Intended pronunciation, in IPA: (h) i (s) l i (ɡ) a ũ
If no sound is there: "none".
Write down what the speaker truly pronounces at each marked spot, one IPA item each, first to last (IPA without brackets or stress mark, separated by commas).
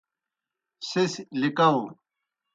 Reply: s, s, k